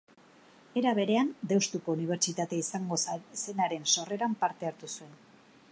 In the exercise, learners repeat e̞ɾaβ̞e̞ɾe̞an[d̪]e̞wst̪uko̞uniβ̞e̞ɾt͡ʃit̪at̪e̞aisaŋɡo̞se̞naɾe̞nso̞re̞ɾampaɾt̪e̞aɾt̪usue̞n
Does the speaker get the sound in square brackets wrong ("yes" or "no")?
no